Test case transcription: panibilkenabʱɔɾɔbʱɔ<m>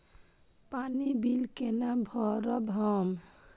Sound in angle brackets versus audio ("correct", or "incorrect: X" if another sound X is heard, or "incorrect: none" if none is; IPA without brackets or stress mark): correct